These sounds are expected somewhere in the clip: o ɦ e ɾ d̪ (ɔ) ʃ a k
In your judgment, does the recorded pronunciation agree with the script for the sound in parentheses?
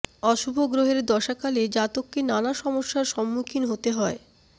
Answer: yes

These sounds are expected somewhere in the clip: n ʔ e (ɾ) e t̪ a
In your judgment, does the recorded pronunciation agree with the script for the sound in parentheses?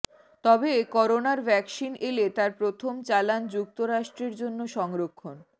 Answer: no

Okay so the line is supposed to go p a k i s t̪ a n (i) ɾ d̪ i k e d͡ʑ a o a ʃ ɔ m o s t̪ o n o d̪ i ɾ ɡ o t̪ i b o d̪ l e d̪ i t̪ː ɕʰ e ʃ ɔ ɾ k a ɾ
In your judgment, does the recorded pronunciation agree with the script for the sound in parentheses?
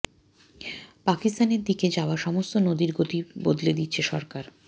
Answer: no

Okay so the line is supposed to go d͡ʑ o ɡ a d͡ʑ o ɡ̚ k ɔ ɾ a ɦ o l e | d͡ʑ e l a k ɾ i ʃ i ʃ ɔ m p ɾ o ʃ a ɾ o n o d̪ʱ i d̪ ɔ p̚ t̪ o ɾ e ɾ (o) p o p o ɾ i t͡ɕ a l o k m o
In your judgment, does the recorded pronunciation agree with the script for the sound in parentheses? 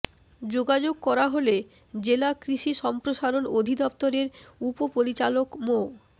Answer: no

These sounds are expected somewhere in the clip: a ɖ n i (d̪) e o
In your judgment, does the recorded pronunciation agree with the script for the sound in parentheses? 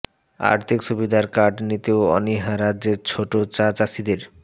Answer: no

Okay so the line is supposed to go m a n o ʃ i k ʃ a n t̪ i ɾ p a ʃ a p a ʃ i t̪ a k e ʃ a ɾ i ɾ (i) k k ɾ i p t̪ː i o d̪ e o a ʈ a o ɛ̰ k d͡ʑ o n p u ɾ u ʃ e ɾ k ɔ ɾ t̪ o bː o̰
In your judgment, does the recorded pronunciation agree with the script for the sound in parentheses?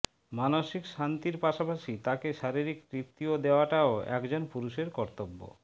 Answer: yes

